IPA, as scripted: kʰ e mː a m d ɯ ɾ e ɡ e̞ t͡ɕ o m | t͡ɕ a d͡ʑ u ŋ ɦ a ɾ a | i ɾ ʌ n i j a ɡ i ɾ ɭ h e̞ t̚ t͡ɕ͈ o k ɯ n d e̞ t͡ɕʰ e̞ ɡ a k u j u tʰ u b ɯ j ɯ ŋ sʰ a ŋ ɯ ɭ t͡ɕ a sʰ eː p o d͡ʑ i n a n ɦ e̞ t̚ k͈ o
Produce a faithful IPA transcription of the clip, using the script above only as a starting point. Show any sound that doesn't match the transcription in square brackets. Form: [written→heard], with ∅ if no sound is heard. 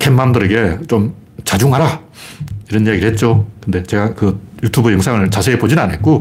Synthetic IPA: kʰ e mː a m d ɯ ɾ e ɡ e̞ t͡ɕ o m | t͡ɕ a d͡ʑ u ŋ ɦ a ɾ a | i ɾ ʌ n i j a ɡ i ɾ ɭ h e̞ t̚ t͡ɕ͈ o k ɯ n d e̞ [t͡ɕʰ→t͡ɕ] e̞ ɡ a k [u→ɯ] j u tʰ u b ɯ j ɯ ŋ sʰ a ŋ ɯ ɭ t͡ɕ a sʰ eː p o d͡ʑ i n a n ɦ e̞ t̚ k͈ o